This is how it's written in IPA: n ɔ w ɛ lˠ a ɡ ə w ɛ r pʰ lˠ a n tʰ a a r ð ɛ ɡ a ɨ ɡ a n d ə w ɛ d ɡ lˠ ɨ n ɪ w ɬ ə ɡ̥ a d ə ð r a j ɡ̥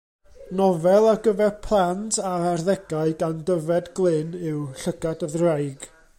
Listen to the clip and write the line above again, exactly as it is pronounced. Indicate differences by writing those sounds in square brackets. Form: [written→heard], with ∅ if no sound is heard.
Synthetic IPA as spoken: n ɔ [w→v] ɛ lˠ a ɡ ə [w→v] ɛ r pʰ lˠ a n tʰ a a r ð ɛ ɡ a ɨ ɡ a n d ə [w→v] ɛ d ɡ lˠ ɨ n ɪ w ɬ ə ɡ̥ a d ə ð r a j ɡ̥